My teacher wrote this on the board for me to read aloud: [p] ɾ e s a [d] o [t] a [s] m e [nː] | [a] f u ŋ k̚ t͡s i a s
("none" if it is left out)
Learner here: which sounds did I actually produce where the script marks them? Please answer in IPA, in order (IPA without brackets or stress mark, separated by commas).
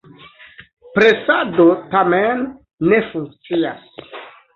p, d, t, none, nː, e